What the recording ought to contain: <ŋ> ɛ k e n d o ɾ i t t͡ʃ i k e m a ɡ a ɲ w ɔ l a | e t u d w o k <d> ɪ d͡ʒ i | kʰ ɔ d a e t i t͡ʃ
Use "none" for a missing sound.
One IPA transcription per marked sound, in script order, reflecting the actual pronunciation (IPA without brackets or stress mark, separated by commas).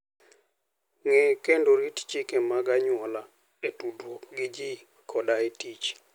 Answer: ŋ, ɡ